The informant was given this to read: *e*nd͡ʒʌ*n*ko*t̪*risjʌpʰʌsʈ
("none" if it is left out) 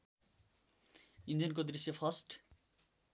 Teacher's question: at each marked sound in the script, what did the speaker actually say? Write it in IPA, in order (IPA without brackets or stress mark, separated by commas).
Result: i, n, d̪